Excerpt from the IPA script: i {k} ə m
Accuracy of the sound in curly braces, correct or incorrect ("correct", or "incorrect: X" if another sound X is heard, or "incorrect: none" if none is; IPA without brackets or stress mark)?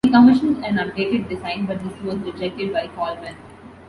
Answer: correct